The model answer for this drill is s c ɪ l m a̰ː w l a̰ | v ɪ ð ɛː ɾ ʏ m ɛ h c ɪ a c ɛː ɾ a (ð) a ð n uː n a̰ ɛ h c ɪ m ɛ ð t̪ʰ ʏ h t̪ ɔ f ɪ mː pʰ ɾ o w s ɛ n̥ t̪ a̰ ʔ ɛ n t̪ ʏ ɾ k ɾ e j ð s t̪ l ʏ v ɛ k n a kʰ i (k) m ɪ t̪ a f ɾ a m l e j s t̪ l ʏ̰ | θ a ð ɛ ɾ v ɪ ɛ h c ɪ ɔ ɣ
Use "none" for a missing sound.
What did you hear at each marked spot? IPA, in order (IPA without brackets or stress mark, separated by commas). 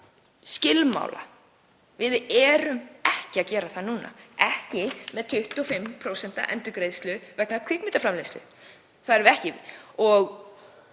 θ, k